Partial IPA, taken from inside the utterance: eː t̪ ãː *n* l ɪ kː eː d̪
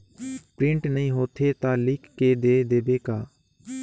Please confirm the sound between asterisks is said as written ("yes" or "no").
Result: no